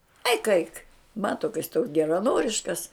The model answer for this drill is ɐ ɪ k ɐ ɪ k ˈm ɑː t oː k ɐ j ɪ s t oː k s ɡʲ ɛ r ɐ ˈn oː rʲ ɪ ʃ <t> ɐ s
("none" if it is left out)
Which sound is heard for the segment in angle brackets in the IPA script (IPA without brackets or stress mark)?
k